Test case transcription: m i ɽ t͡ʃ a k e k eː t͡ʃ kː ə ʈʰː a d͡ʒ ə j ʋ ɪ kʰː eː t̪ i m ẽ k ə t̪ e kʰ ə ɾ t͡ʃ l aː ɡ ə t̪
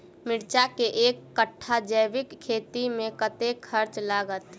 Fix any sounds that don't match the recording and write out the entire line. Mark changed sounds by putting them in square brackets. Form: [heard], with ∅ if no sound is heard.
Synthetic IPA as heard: m [ɪ] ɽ t͡ʃ a k e [ʔ] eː [∅] kː ə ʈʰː a d͡ʒ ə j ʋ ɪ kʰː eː t̪ i m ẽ k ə t̪ e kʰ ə ɾ t͡ʃ l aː ɡ ə t̪